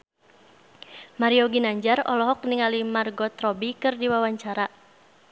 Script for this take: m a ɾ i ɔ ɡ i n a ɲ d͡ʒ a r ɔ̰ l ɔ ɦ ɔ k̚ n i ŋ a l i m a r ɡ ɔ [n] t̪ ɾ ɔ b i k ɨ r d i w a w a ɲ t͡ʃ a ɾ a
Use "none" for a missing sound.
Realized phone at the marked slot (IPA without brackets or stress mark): none